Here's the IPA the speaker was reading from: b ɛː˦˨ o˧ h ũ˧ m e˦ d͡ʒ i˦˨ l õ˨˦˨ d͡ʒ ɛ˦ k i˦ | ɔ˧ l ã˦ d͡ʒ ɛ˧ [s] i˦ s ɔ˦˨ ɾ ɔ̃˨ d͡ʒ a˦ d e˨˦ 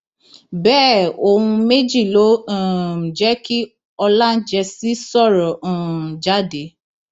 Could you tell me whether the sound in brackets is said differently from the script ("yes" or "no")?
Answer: no